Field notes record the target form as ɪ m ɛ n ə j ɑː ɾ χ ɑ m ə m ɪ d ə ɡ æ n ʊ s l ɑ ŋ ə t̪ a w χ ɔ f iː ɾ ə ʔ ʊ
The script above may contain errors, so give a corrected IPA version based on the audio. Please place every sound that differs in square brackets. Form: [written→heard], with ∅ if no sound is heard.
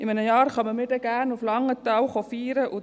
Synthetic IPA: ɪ m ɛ n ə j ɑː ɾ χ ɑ m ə m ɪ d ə ɡ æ n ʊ [s→f] l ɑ ŋ ə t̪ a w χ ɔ f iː ɾ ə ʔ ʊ